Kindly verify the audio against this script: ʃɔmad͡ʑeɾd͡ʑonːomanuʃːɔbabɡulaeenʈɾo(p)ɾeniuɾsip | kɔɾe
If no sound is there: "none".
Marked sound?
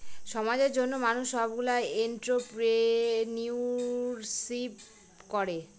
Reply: p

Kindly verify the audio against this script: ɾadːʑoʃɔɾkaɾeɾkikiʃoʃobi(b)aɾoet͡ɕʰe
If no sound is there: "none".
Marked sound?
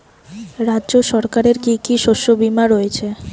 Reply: m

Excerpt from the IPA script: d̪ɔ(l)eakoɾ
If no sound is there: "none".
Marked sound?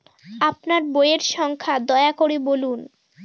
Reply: none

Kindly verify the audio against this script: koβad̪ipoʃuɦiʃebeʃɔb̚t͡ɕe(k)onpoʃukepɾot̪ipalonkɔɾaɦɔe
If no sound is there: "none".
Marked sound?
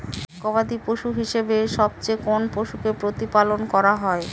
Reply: k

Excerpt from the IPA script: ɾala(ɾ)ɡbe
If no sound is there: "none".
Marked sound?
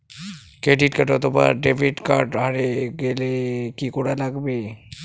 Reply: none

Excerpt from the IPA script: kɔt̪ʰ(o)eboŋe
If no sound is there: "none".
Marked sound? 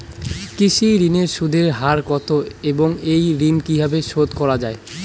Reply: o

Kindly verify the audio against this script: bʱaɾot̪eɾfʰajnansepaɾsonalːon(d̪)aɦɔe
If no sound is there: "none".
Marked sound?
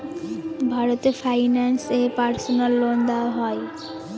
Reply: d̪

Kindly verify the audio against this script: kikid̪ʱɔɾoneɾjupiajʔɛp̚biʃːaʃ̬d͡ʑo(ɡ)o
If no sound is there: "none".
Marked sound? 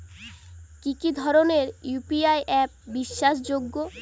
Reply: ɡː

